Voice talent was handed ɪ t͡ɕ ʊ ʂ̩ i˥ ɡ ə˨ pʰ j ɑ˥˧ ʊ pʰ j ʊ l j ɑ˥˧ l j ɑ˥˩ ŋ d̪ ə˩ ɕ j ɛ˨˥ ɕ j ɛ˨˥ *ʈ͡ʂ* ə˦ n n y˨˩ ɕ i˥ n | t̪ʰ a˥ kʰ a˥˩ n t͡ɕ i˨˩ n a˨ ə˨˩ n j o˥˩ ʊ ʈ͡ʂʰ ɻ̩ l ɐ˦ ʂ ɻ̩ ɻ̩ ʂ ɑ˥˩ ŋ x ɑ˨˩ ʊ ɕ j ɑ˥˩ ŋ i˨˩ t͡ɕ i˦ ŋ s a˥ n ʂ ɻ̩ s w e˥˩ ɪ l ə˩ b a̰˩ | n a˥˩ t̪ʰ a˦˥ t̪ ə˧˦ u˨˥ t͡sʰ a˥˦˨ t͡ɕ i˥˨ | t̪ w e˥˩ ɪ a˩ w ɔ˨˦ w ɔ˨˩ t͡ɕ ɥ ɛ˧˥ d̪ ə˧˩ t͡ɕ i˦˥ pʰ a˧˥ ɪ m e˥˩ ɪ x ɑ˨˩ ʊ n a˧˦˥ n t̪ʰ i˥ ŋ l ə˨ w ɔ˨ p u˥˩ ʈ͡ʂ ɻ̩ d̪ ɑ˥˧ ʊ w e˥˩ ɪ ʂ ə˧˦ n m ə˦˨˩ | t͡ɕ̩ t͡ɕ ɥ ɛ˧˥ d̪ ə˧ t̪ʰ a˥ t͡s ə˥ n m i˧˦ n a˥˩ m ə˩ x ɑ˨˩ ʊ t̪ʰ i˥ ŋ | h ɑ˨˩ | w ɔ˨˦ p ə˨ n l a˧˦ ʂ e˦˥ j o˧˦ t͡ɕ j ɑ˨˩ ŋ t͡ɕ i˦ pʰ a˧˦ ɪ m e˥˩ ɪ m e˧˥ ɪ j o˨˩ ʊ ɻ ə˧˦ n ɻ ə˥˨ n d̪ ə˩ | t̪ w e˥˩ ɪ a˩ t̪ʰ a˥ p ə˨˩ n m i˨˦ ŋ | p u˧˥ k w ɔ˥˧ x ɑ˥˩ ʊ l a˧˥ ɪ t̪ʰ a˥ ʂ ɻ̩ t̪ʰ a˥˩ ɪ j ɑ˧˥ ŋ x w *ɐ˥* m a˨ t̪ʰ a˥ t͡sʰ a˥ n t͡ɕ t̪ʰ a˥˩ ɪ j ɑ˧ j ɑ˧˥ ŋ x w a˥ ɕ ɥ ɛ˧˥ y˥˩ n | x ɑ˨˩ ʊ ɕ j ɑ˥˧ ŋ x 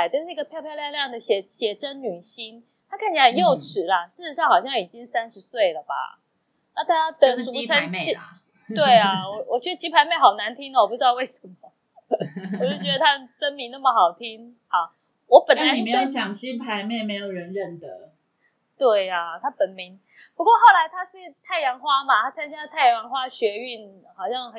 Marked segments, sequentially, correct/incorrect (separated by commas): correct, incorrect